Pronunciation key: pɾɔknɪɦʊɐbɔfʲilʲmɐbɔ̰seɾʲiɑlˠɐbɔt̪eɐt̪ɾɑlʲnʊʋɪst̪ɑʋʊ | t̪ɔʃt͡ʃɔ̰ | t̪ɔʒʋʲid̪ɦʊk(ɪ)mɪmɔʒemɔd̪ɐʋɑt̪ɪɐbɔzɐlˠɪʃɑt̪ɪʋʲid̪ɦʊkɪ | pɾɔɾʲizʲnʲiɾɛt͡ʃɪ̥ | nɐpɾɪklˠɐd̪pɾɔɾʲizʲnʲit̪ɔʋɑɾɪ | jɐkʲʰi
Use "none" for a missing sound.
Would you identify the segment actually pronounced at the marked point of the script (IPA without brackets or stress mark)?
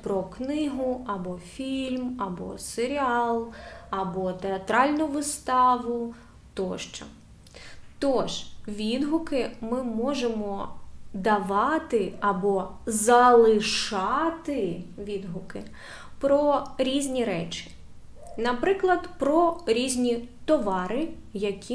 ɪ